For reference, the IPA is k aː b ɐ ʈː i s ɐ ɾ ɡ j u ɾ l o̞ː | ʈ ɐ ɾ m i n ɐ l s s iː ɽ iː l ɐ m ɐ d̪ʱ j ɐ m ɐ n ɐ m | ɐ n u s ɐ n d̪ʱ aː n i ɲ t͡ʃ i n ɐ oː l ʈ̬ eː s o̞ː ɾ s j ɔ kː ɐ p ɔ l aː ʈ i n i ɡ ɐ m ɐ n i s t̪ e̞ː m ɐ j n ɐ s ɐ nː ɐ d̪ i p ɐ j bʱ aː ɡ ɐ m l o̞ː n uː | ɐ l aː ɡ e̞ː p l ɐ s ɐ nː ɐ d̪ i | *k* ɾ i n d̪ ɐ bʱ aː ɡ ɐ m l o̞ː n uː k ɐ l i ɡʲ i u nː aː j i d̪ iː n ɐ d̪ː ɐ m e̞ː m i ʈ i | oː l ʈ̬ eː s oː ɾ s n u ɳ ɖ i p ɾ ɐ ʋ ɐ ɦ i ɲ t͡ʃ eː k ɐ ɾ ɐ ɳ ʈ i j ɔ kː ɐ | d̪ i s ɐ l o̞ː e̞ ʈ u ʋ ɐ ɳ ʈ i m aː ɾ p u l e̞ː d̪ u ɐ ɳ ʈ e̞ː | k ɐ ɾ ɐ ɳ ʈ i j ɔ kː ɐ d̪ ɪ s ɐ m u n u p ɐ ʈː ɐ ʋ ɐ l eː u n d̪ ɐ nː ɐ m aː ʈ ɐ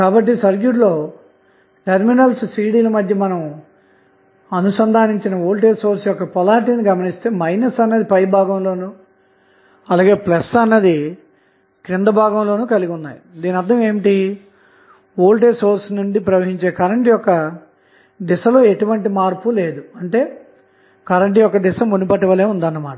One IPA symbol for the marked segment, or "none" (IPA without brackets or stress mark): k